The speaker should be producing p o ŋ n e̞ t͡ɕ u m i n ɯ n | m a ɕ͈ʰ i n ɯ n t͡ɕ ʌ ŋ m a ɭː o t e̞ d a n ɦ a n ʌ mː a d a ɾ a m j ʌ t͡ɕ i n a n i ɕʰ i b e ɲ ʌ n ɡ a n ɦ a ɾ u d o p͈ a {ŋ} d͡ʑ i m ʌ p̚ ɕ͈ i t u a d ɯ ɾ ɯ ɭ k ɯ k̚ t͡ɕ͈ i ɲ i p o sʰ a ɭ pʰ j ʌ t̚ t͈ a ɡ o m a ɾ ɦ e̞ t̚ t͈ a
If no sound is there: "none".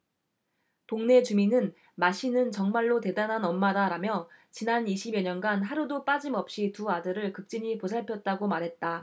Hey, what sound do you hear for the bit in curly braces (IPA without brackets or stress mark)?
none